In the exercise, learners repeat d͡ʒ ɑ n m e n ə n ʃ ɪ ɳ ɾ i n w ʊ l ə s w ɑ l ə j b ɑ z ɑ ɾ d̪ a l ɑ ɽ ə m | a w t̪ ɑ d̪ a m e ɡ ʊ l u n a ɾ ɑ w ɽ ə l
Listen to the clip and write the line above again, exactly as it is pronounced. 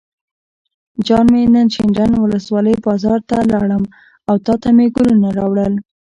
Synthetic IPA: d͡ʒ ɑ n m e n ə n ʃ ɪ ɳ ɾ a n w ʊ l ə s w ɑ l ə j b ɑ z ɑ ɾ t̪ a l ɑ ɽ ə m | a w t̪ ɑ t̪ a m e ɡ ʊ l u n a ɾ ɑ w ɽ ə l